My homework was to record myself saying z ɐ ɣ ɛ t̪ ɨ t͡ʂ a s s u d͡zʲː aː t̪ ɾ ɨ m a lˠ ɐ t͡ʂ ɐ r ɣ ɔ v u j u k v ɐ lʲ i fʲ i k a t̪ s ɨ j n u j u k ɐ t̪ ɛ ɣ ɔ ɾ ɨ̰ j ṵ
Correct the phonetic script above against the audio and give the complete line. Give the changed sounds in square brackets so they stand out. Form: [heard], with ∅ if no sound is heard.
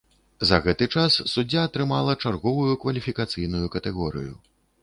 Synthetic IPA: z ɐ ɣ ɛ t̪ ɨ t͡ʂ a s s u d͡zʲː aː t̪ ɾ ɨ m a lˠ ɐ t͡ʂ [a] r ɣ ɔ v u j u k v ɐ lʲ i fʲ i k a t̪ s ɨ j n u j u k ɐ t̪ ɛ ɣ ɔ ɾ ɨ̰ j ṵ